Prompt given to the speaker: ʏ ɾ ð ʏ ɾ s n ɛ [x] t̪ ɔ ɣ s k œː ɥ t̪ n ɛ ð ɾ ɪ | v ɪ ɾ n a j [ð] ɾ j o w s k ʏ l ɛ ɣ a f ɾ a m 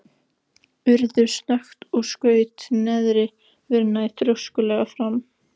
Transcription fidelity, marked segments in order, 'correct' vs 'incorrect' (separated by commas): correct, incorrect